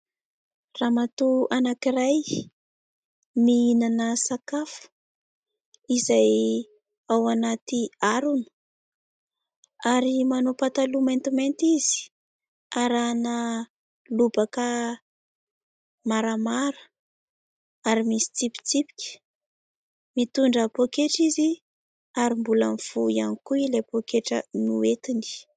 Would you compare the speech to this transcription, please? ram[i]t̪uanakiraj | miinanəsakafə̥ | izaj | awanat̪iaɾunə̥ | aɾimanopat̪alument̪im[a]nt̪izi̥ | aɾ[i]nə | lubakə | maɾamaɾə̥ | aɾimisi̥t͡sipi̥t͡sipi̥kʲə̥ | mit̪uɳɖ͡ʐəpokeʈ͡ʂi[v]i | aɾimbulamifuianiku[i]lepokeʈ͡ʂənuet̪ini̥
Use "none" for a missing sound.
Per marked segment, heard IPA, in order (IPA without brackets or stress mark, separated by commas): a, e, a, z, i